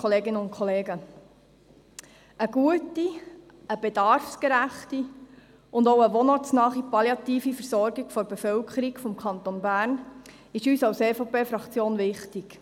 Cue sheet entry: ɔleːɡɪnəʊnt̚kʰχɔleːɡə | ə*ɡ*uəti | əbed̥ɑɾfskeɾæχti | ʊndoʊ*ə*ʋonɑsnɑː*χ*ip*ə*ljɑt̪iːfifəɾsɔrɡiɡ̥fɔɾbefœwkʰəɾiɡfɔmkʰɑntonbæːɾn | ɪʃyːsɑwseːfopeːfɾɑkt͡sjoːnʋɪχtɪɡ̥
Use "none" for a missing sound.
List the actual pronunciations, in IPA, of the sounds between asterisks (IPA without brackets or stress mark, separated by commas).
ɡ, ə, χ, ɑ